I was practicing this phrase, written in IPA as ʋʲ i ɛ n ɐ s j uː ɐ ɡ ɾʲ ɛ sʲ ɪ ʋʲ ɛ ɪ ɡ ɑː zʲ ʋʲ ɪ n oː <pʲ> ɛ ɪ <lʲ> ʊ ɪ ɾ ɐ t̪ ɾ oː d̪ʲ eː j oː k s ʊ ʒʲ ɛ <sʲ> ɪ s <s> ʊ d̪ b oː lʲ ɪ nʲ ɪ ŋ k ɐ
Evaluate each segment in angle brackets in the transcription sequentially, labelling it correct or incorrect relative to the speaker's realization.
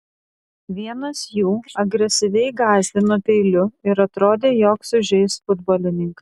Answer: correct, correct, incorrect, incorrect

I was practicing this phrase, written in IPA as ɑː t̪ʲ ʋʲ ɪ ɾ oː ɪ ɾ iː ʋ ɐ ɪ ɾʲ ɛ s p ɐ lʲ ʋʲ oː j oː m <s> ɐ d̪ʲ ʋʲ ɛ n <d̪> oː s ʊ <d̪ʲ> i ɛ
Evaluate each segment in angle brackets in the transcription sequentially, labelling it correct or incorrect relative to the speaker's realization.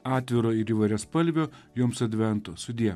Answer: correct, incorrect, correct

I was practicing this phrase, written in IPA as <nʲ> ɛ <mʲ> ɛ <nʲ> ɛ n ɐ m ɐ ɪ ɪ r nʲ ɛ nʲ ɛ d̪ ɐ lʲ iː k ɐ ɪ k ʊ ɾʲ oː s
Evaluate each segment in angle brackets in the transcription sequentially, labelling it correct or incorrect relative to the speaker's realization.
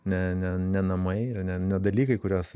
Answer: correct, incorrect, correct

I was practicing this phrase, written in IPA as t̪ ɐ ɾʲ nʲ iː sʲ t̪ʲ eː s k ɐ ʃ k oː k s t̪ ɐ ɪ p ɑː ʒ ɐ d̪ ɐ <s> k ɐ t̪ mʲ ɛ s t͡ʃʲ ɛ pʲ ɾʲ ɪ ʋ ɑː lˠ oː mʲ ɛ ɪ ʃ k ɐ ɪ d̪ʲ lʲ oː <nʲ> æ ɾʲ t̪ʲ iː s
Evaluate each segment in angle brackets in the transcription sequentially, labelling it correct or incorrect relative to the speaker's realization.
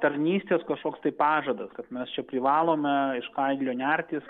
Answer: correct, correct

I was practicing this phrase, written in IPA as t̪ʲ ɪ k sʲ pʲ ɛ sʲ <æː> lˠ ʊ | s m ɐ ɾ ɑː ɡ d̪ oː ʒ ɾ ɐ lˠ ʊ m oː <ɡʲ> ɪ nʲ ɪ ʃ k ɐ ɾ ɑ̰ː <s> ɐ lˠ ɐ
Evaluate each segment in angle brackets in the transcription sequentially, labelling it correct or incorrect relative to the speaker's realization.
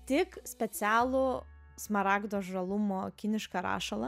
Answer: correct, incorrect, incorrect

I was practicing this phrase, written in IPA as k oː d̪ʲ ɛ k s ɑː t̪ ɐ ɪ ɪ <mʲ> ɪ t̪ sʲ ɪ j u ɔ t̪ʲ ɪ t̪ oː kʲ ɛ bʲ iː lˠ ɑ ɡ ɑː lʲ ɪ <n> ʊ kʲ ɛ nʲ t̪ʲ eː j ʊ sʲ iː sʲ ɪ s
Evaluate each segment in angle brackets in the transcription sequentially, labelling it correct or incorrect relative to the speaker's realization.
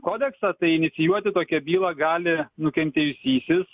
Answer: incorrect, correct

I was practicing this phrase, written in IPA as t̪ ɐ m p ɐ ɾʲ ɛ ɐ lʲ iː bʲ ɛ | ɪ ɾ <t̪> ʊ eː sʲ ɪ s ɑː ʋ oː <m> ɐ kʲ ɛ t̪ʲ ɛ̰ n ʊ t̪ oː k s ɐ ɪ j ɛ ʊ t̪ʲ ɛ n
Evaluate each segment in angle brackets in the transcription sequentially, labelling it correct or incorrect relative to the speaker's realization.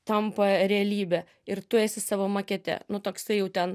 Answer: correct, correct

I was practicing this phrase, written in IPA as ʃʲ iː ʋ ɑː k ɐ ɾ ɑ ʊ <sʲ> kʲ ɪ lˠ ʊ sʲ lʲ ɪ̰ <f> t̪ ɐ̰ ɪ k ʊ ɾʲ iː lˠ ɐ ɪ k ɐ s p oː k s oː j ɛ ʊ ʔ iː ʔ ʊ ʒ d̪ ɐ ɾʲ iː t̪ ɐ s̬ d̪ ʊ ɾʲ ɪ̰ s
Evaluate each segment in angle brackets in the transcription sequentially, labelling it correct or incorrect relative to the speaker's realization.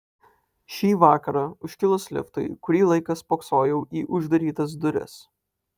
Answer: incorrect, correct

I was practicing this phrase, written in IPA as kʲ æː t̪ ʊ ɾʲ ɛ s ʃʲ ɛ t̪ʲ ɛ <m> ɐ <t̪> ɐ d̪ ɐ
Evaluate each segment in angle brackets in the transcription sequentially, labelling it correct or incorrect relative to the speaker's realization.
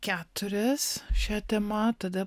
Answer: correct, correct

